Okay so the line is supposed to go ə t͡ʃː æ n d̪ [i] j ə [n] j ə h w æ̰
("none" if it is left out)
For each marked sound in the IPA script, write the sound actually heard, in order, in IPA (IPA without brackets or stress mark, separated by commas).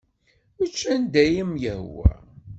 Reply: æ, m